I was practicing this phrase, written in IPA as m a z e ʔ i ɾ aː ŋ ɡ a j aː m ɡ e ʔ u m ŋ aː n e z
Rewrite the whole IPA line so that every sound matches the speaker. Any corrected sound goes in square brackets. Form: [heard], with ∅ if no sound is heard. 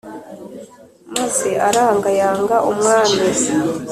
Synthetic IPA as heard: m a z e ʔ [a] ɾ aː ŋ ɡ a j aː [ŋ] ɡ [a] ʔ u m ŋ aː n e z

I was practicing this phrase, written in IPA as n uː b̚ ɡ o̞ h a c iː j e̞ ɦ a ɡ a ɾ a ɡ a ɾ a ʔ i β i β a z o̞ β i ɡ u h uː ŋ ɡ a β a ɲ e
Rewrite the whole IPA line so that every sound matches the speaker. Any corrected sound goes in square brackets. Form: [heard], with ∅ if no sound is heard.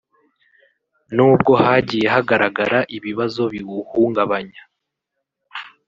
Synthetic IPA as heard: n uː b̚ ɡ o̞ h a [ɟ] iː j e̞ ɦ a ɡ a ɾ a ɡ a ɾ a ʔ i β i β a z o̞ β i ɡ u h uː ŋ ɡ a β a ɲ [a]

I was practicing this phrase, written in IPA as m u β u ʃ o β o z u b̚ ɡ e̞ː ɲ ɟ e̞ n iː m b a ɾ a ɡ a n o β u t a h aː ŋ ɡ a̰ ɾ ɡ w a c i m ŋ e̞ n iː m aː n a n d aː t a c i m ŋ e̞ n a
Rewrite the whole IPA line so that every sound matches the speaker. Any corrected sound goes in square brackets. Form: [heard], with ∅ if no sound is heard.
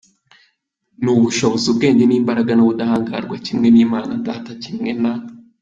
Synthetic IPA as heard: [n] u β u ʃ o β o z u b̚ ɡ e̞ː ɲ ɟ e̞ n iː m b a ɾ a ɡ a n o β u [d] a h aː ŋ ɡ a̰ ɾ ɡ w a c i m ŋ e̞ n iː m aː n a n d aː t a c i m ŋ e̞ n a

